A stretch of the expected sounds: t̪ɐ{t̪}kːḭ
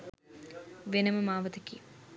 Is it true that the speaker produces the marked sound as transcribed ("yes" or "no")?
no